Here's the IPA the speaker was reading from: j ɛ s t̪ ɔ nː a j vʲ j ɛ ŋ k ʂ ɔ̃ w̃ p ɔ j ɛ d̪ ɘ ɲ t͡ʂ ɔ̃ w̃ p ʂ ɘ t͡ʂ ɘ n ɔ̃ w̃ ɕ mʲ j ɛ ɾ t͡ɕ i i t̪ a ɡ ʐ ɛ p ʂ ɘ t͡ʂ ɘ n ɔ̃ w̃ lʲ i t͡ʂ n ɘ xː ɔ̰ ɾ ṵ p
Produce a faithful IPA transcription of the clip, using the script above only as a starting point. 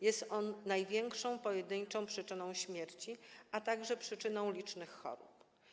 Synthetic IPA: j ɛ s t̪ ɔ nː a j vʲ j ɛ ŋ k ʂ ɔ̃ w̃ p ɔ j ɛ d̪ ɘ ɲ t͡ʂ ɔ̃ w̃ p ʂ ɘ t͡ʂ ɘ n ɔ̃ w̃ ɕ mʲ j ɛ ɾ t͡ɕ i a t̪ a ɡ ʐ ɛ p ʂ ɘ t͡ʂ ɘ n ɔ̃ w̃ lʲ i t͡ʂ n ɘ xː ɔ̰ ɾ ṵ p